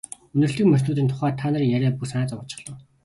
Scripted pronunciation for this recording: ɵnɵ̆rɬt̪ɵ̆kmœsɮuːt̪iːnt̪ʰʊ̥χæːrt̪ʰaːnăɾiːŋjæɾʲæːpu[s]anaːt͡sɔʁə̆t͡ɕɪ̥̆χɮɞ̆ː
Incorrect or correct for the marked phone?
correct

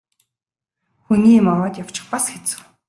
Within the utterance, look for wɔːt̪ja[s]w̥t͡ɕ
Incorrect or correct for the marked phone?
incorrect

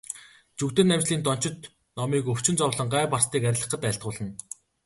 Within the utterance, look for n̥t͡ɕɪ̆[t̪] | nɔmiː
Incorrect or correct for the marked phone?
correct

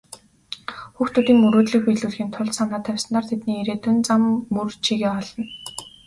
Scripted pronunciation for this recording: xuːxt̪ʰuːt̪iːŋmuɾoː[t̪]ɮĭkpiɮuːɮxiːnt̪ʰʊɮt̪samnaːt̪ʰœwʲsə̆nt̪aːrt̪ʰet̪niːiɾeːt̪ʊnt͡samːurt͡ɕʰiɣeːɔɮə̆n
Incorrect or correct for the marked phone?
correct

